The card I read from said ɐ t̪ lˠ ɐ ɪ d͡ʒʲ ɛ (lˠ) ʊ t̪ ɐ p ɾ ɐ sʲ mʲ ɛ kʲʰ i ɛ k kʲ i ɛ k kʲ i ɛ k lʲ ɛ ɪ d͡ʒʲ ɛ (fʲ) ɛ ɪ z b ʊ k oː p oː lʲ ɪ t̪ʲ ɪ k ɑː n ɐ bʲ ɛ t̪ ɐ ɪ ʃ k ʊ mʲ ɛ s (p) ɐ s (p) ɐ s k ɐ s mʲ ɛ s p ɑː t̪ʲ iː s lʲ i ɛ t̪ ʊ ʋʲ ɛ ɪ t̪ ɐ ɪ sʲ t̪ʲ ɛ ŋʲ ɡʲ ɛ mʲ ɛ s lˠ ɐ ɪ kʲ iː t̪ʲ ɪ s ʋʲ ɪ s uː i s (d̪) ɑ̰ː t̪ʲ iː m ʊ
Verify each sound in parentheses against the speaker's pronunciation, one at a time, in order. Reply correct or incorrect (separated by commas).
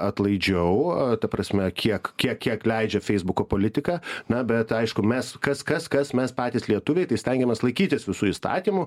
incorrect, correct, incorrect, incorrect, incorrect